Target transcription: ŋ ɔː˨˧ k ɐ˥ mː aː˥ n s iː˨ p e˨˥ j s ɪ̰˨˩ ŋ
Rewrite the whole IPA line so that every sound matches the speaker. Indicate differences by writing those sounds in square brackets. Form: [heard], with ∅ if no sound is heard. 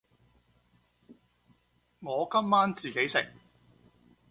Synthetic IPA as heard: ŋ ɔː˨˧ k ɐ˥ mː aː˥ n [t͡s] iː˨ [k] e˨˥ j s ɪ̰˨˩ ŋ